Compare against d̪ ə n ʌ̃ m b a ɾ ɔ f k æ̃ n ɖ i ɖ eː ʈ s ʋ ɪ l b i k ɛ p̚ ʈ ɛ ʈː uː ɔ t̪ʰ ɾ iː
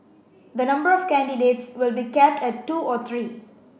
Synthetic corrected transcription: d̪ ə n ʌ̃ m b ə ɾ ɔ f k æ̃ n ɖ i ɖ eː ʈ s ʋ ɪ l b i k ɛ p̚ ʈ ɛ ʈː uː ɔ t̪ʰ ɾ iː